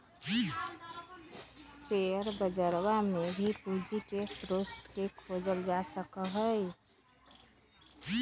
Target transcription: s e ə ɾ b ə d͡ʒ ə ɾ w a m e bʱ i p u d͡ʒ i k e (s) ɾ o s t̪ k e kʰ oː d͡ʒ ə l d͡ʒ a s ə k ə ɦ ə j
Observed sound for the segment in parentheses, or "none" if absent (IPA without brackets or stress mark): s